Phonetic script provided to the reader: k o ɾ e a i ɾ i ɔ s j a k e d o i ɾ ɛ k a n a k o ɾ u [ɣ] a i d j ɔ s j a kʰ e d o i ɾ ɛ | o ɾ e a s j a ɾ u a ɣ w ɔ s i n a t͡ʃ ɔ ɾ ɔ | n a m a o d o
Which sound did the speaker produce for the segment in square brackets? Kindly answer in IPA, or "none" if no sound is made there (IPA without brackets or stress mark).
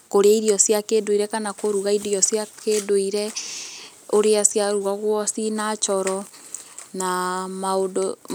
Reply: ɣ